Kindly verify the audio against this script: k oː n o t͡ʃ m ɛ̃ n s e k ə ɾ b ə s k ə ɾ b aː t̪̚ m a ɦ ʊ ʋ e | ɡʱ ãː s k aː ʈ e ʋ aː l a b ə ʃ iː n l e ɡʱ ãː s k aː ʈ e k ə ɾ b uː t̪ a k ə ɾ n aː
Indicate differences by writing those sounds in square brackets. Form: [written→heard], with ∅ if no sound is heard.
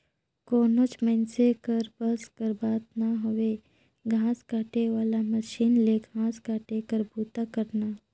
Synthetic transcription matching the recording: k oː n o t͡ʃ m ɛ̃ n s e k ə ɾ b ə s k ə ɾ b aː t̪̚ [m→n] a ɦ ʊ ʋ e | ɡʱ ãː s k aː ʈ e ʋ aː l a [b→m] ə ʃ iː n l e ɡʱ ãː s k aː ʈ e k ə ɾ b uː t̪ a k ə ɾ n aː